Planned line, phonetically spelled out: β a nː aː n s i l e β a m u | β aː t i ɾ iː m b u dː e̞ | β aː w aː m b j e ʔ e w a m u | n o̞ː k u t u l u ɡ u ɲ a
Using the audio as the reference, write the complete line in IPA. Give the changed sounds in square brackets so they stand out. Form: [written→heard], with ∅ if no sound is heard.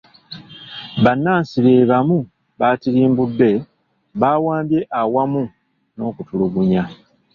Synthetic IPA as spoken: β a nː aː n s i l e β a m u | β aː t i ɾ iː m b u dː e̞ | β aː w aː m b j e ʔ [e→a] w a m u | n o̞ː k u t u l u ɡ u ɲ a